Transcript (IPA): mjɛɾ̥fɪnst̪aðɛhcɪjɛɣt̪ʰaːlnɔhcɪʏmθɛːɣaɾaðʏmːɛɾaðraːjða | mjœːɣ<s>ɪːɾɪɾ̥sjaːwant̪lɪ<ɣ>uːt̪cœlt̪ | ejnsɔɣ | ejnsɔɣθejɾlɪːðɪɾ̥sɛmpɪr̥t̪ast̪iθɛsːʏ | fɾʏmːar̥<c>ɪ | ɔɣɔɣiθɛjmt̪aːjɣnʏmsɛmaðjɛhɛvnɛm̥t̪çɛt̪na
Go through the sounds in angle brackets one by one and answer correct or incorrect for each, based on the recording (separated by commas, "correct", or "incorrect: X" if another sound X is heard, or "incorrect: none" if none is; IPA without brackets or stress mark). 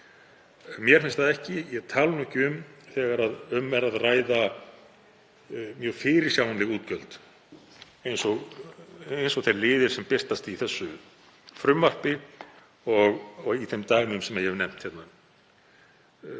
incorrect: f, correct, incorrect: p